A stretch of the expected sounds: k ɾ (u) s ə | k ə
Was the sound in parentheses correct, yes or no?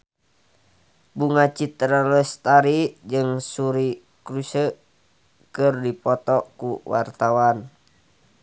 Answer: yes